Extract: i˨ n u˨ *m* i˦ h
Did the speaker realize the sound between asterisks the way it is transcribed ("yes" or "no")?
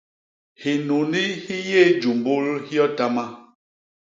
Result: no